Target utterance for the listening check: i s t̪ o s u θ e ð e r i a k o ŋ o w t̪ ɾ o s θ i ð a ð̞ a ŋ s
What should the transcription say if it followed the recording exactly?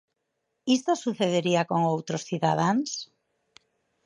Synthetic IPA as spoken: i s t̪ o s u θ e ð e ɾ i a k o ŋ o w t̪ ɾ o s θ i ð a ð̞ a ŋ s